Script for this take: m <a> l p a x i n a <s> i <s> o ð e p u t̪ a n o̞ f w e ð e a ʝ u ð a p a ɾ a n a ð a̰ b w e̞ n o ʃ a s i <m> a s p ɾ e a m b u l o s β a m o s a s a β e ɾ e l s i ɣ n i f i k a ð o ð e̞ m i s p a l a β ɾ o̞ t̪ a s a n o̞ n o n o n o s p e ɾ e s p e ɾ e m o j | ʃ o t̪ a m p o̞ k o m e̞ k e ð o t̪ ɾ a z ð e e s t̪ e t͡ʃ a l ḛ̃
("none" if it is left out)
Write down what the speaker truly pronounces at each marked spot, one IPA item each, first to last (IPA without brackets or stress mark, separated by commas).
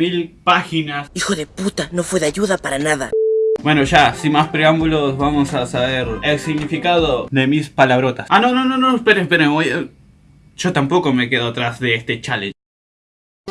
i, s, x, m